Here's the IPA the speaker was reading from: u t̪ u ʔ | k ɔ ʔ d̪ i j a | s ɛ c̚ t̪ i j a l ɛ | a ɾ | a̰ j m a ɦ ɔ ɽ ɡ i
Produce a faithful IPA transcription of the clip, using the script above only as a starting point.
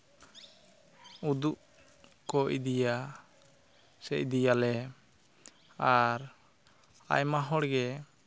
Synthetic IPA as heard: u d̪ u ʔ | k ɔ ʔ d̪ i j a | s ɛ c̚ d̪ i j a l ɛ | a ɾ | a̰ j m a ɦ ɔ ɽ ɡ ɛ